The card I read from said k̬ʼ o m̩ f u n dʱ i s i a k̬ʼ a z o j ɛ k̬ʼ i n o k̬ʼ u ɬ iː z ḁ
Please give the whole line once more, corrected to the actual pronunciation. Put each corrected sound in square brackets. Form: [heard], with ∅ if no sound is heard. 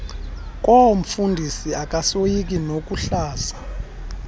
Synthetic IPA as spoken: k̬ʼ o m̩ f u n dʱ i s i a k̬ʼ a [s] o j [i] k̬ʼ i n o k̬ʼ u ɬ [aː] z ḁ